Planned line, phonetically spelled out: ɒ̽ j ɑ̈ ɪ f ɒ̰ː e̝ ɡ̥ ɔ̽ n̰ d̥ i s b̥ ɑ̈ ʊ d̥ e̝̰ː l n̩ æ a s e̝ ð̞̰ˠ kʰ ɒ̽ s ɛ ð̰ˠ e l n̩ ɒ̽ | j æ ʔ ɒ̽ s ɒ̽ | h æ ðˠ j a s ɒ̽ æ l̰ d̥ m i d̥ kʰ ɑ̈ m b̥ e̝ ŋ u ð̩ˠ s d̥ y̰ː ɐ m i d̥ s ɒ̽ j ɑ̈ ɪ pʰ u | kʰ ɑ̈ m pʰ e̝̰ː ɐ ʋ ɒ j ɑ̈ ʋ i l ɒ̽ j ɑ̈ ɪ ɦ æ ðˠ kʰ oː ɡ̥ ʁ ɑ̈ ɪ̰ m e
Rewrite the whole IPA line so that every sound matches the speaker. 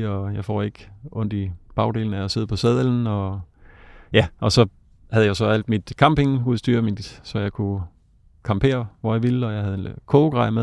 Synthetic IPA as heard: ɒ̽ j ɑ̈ ɪ f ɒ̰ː e̝ ɡ̥ ɔ̽ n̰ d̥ i b̥ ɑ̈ ʊ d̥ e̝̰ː l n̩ æ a s e̝ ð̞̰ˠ pʰ ɒ̽ s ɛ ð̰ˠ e l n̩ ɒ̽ | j æ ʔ ɒ̽ s ɒ̽ | h æ ðˠ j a s ɒ̽ æ l̰ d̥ m i d̥ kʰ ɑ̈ m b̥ e̝ ŋ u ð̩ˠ s d̥ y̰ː ɐ m i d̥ s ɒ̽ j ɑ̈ ɪ kʰ u | kʰ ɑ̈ m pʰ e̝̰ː ɐ ʋ ɒ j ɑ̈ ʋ i l ɒ̽ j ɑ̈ ɪ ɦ æ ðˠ kʰ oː ɡ̥ ʁ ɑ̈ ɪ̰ m e